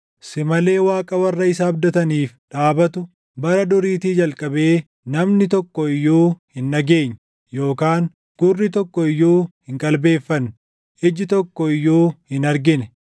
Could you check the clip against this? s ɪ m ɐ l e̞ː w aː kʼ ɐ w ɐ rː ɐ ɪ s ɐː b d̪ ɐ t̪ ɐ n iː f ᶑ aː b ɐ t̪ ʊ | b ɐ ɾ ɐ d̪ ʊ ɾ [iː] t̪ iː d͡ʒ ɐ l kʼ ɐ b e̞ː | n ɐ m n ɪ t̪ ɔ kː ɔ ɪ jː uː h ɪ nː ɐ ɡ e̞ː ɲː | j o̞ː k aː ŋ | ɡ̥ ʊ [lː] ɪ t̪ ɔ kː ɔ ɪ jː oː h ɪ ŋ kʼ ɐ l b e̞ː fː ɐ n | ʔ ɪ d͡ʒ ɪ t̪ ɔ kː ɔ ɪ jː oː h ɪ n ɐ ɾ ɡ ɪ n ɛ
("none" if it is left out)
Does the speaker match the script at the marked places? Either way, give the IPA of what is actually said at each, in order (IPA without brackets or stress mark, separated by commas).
iː, rː